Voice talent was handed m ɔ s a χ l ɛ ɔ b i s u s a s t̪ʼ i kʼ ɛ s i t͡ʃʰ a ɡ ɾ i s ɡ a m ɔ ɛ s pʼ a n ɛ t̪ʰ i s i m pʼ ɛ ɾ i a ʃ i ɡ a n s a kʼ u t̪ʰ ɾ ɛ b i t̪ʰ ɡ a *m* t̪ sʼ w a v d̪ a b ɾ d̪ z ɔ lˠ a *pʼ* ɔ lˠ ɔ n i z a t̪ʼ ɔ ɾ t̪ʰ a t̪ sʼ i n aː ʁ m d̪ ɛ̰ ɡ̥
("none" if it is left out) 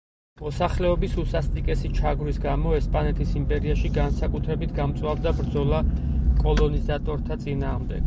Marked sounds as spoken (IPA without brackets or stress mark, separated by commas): m, kʼ